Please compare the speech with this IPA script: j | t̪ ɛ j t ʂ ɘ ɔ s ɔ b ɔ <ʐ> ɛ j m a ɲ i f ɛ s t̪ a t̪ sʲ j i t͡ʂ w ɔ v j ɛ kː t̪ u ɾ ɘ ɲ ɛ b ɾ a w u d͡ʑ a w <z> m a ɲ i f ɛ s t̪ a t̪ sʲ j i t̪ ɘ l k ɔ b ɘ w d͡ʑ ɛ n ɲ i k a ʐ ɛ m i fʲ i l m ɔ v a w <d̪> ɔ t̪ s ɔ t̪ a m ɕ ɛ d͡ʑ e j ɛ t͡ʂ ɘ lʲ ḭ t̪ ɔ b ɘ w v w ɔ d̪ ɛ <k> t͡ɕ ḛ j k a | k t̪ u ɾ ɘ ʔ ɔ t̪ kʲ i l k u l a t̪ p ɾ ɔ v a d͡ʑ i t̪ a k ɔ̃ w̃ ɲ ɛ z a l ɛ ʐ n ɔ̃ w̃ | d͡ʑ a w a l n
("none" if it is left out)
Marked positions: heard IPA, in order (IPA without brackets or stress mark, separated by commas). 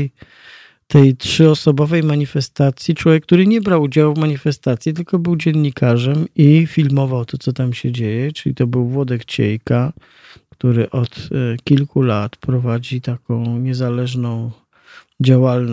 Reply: v, v, t̪, k